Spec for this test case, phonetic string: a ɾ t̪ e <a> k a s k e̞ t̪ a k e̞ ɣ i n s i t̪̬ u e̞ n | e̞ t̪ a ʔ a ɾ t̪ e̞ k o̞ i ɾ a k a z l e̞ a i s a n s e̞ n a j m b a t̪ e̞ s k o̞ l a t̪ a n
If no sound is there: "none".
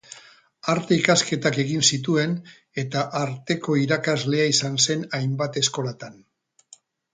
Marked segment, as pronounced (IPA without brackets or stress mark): i